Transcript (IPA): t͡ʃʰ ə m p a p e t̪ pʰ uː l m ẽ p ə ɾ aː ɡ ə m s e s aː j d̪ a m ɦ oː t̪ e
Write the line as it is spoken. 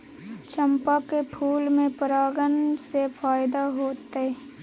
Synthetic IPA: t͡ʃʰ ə m p a k e pʰ uː l m ẽ p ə ɾ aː ɡ ə n s e f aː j d̪ a ɦ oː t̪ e

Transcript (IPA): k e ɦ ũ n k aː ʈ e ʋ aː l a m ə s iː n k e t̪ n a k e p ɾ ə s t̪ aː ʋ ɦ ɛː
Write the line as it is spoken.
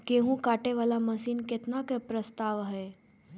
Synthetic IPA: k e ɦ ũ k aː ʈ e ʋ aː l a m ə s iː n k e t̪ n a k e p ɾ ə s t̪ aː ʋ ɦ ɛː

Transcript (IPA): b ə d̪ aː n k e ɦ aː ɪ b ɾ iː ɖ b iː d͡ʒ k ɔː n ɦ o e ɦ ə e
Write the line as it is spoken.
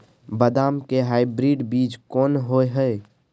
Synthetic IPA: b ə d̪ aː m k e ɦ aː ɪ b ɾ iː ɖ b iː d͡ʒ k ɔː n ɦ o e ɦ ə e

